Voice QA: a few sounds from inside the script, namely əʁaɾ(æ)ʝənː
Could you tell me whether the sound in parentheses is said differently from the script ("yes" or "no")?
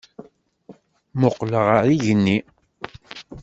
yes